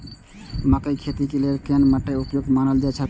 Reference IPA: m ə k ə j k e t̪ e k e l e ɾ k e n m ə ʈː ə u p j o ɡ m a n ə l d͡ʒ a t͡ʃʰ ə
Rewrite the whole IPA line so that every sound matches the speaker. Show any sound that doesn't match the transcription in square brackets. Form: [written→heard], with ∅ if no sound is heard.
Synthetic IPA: m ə k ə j [k→kʰ] e t̪ [e→i] k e l e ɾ k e n m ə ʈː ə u p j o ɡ m a n ə l d͡ʒ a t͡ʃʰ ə